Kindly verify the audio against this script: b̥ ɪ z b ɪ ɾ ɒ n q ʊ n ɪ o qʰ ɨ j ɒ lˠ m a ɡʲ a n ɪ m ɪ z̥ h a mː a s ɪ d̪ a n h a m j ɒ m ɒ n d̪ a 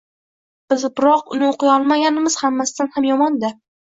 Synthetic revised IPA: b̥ ɪ z b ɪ ɾ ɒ q ʊ n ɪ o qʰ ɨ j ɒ lˠ m a ɡʲ a n ɪ m ɪ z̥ h a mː a s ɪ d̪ a n h a m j ɒ m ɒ n d̪ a